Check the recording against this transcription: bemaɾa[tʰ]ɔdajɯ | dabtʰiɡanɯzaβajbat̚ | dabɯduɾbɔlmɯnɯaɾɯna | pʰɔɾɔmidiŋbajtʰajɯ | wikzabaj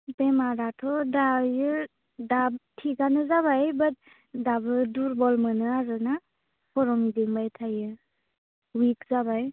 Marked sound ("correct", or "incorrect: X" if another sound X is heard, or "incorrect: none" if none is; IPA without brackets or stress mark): correct